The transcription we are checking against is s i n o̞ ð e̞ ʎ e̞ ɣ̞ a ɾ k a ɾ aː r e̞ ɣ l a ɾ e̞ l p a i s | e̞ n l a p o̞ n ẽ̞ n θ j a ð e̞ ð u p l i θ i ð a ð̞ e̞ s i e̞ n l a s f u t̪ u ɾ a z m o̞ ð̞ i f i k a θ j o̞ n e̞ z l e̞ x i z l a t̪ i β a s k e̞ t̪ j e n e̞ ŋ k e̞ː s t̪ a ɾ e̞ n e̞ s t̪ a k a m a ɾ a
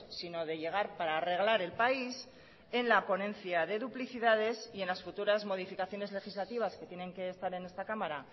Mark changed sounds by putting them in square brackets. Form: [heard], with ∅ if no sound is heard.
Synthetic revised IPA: s i n o̞ ð e̞ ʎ e̞ ɣ̞ a ɾ [p] a ɾ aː r e̞ ɣ l a ɾ e̞ l p a i s | e̞ n l a p o̞ n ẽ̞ n θ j a ð e̞ ð u p l i θ i ð a ð̞ e̞ s i e̞ n l a s f u t̪ u ɾ a z m o̞ ð̞ i f i k a θ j o̞ n e̞ z l e̞ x i z l a t̪ i β a s k e̞ t̪ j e n e̞ ŋ k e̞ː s t̪ a ɾ e̞ n e̞ s t̪ a k a m a ɾ a